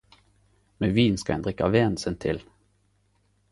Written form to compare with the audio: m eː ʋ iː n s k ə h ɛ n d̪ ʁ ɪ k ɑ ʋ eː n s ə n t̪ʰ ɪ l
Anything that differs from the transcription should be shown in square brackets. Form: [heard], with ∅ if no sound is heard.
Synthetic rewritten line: m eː ʋ iː n s k [ɑ] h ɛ n d̪ ʁ ɪ k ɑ ʋ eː n s ə n t̪ʰ ɪ l

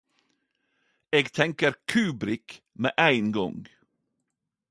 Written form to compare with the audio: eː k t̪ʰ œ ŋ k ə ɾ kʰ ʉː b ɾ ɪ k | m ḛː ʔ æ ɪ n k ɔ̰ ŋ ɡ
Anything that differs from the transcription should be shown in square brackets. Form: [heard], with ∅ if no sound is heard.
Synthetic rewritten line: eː [ɡ] t̪ʰ [ɛ] ŋ k ə ɾ kʰ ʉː b ɾ ɪ k | m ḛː ʔ æ ɪ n [ɡ] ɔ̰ ŋ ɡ

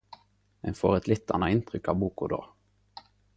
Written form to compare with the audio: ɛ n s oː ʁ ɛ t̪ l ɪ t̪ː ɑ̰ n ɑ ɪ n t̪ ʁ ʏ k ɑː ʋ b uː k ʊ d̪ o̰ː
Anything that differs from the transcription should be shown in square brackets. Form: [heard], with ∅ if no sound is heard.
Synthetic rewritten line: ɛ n [f] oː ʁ ɛ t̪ l ɪ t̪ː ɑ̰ n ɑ ɪ n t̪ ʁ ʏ k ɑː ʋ b uː k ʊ d̪ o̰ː

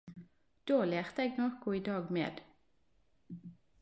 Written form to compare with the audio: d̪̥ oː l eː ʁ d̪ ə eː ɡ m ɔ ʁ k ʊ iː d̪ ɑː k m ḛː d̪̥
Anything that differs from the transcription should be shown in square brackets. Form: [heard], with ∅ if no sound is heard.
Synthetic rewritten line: d̪̥ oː l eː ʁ [t̪] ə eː ɡ [n] ɔ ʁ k ʊ iː d̪ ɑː [ɡ] m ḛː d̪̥

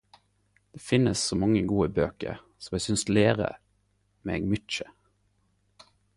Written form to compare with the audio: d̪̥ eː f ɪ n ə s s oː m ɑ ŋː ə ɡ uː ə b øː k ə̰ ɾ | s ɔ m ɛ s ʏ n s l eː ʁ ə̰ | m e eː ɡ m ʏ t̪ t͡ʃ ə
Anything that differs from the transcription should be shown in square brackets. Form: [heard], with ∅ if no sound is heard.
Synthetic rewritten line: d̪̥ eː f ɪ n ə s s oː m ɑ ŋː ə ɡ uː ə b øː k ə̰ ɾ | s ɔ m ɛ s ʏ n s l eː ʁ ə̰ | m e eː ɡ m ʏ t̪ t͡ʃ ə

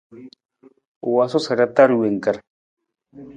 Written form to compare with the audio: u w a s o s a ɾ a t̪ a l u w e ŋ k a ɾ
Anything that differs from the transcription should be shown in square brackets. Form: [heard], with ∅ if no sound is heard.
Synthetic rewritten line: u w a s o s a ɾ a t̪ a [ɾ] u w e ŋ k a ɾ

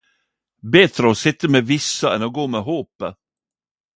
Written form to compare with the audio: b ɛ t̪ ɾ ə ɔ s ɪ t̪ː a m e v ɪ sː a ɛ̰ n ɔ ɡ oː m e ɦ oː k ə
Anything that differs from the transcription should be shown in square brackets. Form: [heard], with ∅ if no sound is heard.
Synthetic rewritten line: b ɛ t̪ ɾ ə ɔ s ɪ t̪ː [ə] m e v ɪ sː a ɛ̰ n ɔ ɡ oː m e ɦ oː [p] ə

